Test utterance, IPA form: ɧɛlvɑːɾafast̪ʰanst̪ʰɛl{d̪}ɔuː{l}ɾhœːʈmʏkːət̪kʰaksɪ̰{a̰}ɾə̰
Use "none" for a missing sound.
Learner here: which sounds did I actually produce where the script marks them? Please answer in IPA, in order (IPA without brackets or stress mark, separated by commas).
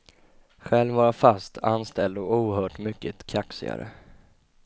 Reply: d̪, none, a̰